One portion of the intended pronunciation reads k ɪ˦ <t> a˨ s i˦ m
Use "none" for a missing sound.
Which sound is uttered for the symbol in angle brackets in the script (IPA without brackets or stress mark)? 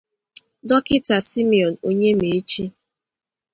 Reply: t